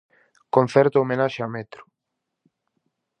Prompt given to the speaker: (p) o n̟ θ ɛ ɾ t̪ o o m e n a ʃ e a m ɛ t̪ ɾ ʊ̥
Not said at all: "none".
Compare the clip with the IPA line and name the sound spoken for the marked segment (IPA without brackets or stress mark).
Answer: k